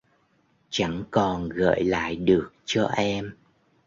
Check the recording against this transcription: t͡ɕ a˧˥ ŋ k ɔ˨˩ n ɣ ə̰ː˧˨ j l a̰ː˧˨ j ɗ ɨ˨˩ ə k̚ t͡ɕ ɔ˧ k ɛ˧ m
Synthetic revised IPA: t͡ɕ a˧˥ ŋ k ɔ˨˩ n ɣ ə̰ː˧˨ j l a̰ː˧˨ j ɗ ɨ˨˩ ə k̚ t͡ɕ ɔ˧ ʔ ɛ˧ m